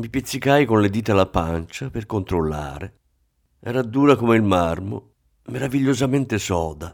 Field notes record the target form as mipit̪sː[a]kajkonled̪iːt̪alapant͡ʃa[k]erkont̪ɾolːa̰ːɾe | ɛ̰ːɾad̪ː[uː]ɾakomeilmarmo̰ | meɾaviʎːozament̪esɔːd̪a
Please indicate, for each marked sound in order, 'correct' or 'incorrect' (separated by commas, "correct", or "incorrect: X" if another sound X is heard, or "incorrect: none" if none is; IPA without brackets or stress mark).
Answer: incorrect: i, incorrect: p, correct